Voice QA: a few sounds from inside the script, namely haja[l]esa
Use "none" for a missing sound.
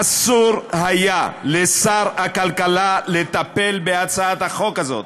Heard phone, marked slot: l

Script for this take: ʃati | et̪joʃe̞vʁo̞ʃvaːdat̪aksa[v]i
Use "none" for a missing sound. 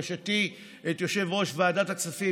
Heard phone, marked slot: f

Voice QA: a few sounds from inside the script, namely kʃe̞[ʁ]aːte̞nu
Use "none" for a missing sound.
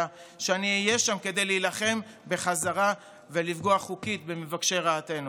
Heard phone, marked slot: ʁ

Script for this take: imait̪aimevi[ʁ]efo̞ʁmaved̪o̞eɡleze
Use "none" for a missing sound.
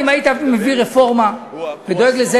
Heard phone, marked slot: ʁ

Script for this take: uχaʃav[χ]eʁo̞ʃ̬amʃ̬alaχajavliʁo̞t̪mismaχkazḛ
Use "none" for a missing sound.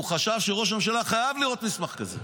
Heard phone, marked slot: ʃ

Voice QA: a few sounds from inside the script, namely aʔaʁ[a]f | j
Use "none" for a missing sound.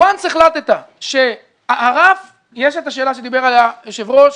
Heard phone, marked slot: a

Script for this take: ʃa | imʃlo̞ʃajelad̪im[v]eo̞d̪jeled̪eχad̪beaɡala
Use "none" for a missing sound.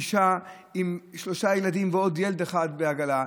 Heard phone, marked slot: v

